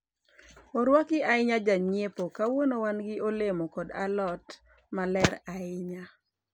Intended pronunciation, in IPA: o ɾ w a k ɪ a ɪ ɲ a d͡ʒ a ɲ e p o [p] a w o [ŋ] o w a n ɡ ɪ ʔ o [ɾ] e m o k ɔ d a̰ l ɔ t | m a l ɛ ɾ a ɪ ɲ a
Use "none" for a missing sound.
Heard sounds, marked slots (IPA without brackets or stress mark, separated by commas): k, n, l